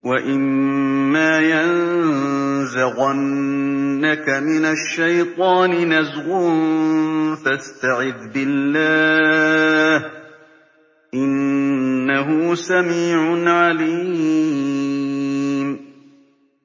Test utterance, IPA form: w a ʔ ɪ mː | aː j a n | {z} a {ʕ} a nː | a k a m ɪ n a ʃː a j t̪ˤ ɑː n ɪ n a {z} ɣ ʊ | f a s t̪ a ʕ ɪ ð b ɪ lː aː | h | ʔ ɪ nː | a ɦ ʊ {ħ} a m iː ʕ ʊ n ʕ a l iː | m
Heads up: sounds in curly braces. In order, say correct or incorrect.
correct, incorrect: ɣ, correct, incorrect: s

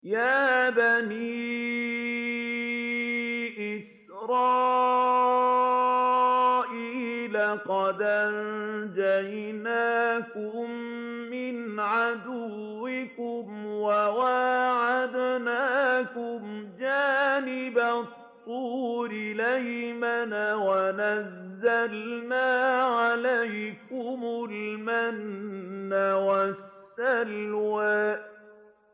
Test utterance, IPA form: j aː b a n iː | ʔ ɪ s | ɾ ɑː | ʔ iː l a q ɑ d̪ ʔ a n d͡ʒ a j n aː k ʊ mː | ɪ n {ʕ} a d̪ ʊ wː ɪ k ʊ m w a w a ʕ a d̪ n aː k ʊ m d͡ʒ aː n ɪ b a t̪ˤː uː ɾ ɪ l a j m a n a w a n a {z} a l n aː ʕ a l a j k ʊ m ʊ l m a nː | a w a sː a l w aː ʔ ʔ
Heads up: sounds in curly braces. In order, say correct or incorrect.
correct, incorrect: zː

